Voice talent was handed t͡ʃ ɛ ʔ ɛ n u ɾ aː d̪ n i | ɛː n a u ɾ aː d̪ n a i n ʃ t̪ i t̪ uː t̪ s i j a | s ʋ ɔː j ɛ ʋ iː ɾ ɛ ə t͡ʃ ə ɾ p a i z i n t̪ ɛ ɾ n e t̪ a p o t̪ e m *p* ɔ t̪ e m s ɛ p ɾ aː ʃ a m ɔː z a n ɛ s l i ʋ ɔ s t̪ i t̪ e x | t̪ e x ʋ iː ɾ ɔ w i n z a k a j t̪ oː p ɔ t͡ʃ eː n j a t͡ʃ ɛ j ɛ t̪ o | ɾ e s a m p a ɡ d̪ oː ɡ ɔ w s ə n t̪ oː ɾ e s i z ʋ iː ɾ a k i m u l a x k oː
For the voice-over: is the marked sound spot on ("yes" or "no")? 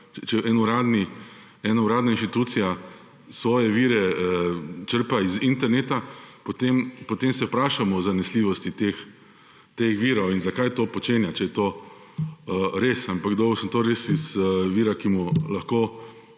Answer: yes